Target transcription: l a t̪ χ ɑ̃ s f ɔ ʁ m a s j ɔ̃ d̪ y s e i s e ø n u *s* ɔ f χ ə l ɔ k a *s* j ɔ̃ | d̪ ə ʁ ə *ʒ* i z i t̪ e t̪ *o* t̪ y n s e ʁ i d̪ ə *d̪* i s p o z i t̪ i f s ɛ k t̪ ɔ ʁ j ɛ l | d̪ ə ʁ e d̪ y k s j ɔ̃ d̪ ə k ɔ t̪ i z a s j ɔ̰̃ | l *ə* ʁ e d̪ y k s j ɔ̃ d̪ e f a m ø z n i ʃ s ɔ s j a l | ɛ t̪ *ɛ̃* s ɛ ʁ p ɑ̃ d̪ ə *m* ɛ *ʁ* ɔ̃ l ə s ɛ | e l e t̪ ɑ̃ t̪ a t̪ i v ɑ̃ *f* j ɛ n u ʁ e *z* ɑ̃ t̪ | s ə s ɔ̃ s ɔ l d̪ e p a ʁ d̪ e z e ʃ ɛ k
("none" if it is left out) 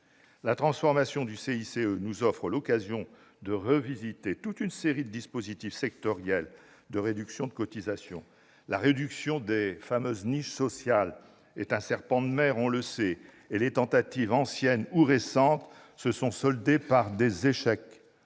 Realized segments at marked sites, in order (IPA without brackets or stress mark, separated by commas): z, z, v, u, d̪, a, ɛ̃, m, ʁ, s, s